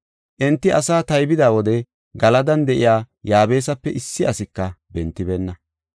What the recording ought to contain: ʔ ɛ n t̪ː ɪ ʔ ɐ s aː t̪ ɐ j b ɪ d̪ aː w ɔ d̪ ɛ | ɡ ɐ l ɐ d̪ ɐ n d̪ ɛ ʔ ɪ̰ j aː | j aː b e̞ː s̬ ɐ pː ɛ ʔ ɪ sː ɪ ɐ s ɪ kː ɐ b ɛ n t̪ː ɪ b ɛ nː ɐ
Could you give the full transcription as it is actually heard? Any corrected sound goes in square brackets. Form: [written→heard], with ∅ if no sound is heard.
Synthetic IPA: ʔ ɛ n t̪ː ɪ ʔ ɐ s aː t̪ ɐ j b ɪ d̪ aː w ɔ d̪ ɛ | ɡ ɐ l ɐ d̪ ɐ n d̪ ɛ ʔ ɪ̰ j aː | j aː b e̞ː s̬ ɐ pː ɛ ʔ ɪ sː ɪ ɐ s ɪ kː ɐ b ɛ n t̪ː ɪ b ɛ nː ɐ